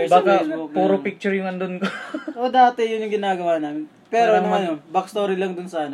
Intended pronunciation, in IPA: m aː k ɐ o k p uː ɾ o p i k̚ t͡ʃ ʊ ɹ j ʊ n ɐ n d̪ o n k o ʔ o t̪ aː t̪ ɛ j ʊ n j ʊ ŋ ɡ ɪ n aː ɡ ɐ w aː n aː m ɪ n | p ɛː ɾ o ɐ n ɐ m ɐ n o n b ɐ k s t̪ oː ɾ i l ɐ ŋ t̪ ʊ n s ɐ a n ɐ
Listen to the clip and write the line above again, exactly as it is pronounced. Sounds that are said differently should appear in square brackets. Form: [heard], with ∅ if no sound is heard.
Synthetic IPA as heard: [b] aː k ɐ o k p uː ɾ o p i k̚ t͡ʃ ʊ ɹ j ʊ [ŋ] ɐ n d̪ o n k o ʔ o [d̪] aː t̪ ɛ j ʊ n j ʊ ŋ ɡ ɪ n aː ɡ ɐ w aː n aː m ɪ n | p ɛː ɾ o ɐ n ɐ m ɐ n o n b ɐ k s t̪ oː ɾ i l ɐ ŋ [d̪] ʊ n s ɐ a n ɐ